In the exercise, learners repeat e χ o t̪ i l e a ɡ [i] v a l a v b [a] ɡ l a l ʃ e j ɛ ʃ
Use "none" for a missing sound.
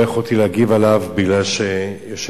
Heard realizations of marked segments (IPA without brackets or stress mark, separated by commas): i, i